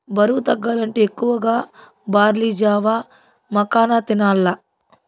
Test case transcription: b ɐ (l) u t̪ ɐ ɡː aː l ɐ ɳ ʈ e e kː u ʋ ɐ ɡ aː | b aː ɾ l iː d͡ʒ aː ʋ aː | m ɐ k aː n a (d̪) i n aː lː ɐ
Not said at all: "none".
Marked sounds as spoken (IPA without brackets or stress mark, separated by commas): ɾ, t̪